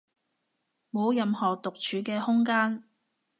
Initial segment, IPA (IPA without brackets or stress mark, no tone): m